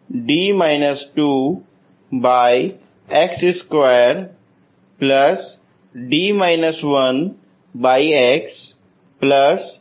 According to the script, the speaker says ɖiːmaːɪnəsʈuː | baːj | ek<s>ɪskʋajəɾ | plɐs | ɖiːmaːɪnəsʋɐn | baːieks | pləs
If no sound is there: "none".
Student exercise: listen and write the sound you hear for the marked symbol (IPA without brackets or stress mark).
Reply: s